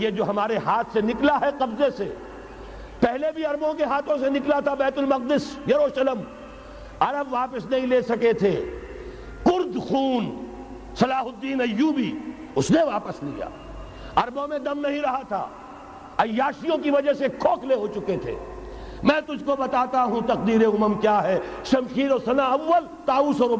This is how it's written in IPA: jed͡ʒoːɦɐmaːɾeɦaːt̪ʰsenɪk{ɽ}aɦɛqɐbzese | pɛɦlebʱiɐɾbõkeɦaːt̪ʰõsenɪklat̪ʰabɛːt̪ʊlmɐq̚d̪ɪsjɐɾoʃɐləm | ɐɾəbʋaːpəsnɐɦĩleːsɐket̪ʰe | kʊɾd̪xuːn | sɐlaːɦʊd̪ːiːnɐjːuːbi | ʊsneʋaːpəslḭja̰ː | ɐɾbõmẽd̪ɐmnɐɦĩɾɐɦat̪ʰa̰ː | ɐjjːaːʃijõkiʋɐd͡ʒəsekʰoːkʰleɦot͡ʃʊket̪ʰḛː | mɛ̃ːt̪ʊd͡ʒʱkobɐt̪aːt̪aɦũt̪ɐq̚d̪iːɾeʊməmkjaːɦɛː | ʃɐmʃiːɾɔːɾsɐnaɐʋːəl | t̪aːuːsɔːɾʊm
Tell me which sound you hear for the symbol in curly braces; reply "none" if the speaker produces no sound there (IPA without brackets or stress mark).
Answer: l